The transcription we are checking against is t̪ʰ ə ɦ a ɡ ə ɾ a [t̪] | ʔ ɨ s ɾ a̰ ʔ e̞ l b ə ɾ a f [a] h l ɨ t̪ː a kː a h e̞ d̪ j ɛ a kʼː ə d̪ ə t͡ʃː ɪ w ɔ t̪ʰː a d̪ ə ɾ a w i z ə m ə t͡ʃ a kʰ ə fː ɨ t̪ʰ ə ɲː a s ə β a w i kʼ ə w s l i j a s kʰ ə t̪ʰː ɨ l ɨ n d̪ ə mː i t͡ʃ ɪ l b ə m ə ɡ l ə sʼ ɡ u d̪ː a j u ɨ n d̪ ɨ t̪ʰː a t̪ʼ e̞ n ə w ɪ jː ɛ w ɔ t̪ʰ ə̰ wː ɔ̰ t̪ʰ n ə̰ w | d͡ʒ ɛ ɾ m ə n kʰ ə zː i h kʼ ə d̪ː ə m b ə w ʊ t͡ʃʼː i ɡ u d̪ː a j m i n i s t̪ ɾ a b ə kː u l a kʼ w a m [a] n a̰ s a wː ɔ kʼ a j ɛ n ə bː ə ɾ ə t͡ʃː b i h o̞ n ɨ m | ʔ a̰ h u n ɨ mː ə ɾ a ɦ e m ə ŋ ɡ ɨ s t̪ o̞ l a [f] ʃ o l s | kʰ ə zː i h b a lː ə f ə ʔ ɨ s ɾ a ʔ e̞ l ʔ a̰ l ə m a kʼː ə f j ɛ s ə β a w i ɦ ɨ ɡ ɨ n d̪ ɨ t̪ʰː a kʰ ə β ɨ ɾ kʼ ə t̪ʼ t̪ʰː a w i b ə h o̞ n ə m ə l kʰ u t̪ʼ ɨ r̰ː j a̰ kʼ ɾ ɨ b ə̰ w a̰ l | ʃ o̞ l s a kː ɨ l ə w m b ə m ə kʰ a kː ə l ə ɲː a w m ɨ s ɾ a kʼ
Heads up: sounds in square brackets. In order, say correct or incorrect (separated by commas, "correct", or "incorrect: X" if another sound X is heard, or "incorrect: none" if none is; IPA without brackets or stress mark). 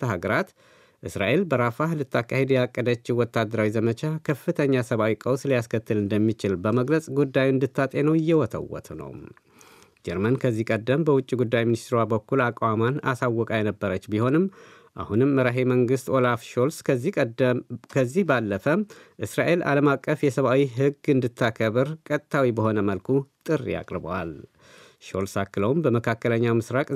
correct, correct, correct, correct